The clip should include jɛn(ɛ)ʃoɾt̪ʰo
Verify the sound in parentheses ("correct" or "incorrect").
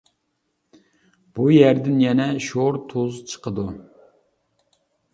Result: correct